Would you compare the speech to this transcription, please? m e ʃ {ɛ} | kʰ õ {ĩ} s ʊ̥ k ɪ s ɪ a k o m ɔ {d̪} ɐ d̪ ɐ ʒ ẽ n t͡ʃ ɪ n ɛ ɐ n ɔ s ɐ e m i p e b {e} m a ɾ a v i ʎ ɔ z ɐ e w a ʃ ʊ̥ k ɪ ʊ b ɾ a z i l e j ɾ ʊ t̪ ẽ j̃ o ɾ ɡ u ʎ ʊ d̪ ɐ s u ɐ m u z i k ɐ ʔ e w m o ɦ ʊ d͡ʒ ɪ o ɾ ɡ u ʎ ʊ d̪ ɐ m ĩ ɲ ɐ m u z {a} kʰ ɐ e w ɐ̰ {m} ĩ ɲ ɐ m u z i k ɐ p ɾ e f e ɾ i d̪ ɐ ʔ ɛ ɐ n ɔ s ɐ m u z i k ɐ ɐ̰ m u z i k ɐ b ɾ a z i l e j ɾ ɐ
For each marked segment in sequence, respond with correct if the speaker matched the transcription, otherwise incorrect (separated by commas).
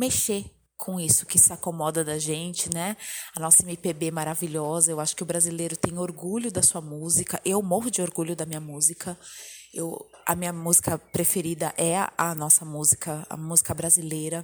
incorrect, incorrect, correct, correct, incorrect, correct